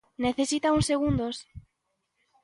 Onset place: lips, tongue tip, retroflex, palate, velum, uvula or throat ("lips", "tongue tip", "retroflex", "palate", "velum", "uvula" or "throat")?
tongue tip